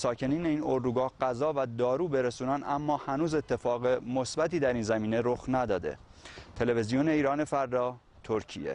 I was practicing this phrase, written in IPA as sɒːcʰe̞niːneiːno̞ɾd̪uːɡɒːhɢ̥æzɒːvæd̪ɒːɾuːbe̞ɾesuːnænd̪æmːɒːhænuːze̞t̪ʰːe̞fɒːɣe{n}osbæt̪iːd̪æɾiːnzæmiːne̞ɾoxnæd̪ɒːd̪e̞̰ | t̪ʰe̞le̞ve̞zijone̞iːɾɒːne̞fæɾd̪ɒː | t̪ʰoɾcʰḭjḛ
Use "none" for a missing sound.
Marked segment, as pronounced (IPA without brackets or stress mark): m